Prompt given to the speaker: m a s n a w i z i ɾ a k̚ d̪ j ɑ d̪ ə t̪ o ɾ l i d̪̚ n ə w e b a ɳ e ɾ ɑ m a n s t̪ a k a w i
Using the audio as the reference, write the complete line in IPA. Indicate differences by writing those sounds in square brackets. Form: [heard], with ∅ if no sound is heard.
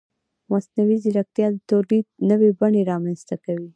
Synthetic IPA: m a s n a w i z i ɾ a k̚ [t̪] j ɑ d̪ ə t̪ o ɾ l i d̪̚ n ə w e b a ɳ e ɾ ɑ m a n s t̪ a k a w i